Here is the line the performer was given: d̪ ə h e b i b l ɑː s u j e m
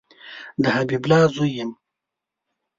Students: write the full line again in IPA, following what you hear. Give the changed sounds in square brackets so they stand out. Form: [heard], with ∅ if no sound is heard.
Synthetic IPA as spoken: d̪ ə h [a] b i b l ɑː [z] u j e m